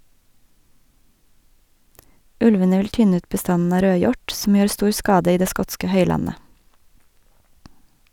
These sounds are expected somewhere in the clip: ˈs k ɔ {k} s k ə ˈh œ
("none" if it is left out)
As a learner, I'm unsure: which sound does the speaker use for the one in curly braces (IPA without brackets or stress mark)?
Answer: t